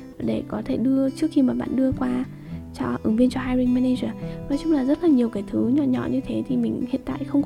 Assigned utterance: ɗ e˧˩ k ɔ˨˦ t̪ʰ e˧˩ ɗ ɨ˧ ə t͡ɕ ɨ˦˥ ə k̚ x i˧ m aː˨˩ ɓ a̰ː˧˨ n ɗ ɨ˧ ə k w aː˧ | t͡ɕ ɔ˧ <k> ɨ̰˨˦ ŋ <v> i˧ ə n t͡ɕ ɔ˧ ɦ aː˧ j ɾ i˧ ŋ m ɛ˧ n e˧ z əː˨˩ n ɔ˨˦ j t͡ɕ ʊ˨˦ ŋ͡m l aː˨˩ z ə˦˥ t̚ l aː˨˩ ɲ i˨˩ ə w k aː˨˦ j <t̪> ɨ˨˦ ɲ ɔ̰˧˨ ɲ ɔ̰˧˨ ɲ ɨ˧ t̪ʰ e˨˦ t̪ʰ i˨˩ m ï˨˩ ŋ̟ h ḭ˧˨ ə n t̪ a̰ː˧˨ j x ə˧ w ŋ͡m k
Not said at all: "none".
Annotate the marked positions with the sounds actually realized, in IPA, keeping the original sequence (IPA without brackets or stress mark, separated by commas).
ʔ, v, t̪ʰ